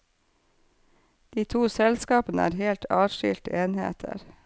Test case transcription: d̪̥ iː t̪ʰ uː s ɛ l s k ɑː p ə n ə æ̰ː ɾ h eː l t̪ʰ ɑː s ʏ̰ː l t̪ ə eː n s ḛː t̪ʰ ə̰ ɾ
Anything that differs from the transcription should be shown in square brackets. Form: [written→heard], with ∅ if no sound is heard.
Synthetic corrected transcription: d̪̥ iː t̪ʰ uː s ɛ l s k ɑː p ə n ə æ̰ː ɾ h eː l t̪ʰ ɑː [s→ʃ] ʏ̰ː l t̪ ə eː n [s→h] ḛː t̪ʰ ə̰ ɾ